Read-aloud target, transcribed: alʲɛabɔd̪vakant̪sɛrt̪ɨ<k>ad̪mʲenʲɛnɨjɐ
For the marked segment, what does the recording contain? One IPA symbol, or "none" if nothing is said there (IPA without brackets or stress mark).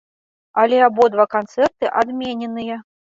ʔ